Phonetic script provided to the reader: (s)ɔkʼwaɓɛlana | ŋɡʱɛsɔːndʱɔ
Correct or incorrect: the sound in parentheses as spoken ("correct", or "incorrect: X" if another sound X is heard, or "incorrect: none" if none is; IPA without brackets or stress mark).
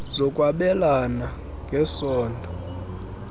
incorrect: z